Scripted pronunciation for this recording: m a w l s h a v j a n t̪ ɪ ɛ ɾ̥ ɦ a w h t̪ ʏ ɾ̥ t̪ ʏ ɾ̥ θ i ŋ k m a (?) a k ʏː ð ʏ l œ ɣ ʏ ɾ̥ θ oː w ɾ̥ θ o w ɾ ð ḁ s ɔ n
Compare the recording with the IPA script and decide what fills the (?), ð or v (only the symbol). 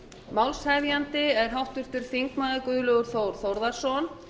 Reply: ð